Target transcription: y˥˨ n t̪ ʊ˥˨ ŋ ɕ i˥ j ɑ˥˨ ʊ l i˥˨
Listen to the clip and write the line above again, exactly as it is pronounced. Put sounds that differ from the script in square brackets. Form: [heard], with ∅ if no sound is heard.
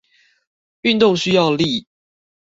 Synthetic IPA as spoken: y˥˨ n t̪ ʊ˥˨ ŋ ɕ [y˥] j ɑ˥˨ ʊ l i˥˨